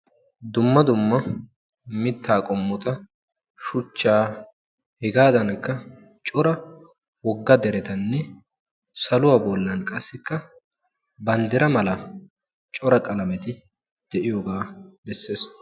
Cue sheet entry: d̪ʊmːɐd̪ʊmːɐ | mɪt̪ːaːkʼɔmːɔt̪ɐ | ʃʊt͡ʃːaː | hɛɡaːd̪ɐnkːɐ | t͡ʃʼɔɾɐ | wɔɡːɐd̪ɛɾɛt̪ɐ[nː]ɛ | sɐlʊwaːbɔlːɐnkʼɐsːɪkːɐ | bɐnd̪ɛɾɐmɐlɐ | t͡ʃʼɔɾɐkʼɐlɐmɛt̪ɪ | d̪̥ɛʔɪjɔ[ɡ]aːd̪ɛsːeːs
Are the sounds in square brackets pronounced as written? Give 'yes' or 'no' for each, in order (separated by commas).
yes, yes